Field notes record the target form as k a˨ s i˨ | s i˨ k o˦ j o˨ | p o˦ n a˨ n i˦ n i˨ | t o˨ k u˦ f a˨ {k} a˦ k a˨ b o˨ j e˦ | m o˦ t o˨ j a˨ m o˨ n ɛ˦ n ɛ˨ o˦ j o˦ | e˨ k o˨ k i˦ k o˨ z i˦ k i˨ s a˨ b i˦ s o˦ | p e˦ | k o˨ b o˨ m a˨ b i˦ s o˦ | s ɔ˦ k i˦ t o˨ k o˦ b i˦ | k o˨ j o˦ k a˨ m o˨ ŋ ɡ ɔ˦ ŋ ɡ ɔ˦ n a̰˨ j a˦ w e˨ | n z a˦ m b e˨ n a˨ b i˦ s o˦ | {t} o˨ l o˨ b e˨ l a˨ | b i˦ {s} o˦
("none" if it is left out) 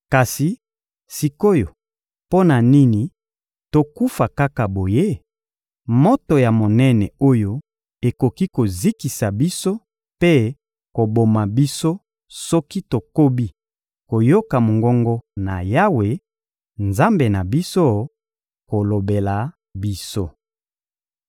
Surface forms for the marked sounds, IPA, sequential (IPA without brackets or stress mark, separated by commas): k, k, s